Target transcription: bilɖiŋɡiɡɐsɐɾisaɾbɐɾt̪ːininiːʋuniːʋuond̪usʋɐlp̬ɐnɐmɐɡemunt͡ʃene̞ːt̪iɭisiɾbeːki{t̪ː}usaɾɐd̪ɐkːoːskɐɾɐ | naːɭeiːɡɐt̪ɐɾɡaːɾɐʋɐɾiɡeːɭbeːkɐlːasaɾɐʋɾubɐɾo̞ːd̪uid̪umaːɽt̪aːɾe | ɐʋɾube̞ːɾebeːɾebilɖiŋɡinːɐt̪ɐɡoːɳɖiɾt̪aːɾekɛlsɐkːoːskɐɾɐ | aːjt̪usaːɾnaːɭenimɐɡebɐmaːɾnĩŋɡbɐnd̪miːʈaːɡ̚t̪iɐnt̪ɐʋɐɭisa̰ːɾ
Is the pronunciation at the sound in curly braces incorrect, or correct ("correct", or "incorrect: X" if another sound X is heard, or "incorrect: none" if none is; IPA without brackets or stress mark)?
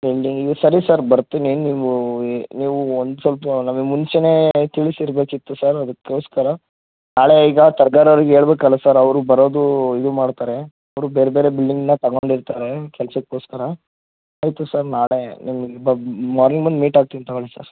correct